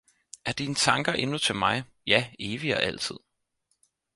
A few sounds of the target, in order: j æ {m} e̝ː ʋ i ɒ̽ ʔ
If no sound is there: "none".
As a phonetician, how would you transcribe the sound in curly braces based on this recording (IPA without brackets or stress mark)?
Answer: none